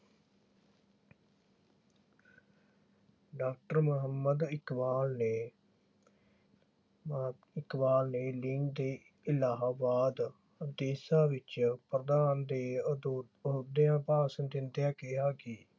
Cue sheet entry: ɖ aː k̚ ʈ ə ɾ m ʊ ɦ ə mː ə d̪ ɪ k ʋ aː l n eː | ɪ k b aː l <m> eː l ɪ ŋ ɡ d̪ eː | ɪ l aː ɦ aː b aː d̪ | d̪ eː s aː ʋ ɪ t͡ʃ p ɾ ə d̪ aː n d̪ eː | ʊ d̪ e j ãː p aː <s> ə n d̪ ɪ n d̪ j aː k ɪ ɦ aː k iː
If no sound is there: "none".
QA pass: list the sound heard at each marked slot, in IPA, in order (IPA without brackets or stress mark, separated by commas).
n, s